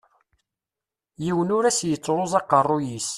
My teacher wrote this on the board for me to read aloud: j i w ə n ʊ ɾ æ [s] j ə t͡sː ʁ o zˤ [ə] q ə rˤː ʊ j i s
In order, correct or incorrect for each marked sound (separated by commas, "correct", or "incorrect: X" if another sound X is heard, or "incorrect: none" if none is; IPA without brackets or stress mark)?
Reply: correct, incorrect: ɑ